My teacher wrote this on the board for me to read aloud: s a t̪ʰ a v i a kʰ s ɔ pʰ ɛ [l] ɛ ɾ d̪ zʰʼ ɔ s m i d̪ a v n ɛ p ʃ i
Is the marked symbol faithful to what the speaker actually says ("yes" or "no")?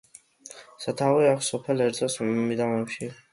yes